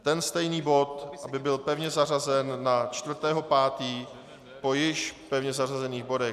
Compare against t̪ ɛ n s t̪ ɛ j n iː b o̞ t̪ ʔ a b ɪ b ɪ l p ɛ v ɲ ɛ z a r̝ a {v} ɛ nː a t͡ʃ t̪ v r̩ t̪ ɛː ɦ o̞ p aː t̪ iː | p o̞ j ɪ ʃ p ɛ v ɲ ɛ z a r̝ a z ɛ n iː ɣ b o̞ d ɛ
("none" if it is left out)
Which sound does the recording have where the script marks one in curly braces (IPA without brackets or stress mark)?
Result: z